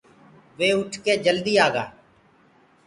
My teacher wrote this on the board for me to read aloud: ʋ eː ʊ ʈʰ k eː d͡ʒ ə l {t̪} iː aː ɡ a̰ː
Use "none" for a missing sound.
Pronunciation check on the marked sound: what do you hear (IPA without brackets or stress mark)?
d̪